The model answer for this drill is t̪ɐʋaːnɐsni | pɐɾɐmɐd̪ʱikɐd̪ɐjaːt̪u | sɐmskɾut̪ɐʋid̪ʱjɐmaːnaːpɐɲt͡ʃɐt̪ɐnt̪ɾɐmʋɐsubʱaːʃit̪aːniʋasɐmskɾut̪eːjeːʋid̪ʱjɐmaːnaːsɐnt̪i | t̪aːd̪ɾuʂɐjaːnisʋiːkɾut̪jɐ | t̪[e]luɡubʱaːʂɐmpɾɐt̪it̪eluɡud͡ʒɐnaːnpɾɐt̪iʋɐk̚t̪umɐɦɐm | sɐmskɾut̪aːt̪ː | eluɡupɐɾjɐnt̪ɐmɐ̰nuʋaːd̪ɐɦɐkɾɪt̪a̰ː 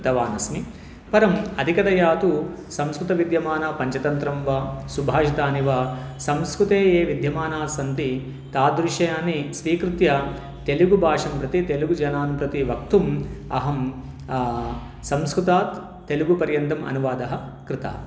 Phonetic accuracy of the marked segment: correct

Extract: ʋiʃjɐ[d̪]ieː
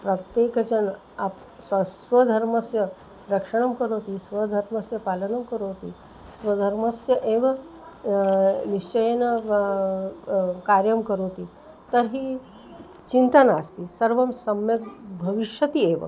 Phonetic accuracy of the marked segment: incorrect: t̪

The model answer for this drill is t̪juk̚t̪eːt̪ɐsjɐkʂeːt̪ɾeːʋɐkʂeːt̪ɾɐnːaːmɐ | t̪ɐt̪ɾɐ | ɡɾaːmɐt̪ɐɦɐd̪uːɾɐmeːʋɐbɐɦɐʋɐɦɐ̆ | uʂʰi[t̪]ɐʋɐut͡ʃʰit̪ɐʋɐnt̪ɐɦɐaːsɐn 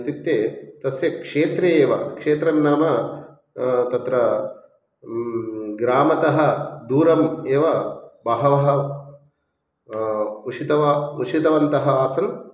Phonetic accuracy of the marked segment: correct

